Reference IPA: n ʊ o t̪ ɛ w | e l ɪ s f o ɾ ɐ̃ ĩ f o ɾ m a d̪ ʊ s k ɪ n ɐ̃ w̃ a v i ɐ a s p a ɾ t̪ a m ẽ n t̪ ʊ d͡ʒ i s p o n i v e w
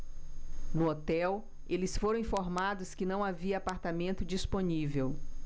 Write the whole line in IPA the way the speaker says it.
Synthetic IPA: n ʊ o t̪ ɛ w | e l ɪ s f o ɾ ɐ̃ ĩ f o ɾ m a d̪ ʊ s k ɪ n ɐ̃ w̃ a v i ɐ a p a ɾ t̪ a m ẽ n t̪ ʊ d͡ʒ i s p o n i v e w